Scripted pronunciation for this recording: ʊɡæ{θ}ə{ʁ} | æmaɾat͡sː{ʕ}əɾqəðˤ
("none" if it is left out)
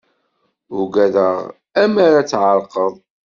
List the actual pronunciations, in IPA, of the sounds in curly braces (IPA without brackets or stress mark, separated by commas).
ð, ʁ, ʕ